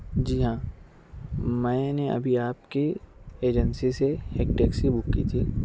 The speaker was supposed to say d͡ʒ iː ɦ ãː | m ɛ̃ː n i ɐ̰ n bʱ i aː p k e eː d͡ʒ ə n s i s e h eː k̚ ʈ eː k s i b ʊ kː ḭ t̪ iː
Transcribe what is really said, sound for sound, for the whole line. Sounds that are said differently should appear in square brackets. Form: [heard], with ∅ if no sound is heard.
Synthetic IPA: d͡ʒ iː ɦ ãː | m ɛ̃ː n [e] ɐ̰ [∅] bʱ i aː p k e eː d͡ʒ ə n s i s e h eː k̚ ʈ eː k s i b ʊ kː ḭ [t̪ʰ] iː